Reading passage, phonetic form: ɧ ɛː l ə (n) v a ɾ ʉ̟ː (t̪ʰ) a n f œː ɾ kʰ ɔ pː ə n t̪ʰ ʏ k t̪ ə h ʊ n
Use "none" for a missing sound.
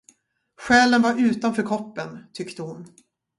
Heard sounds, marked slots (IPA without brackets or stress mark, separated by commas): n, t̪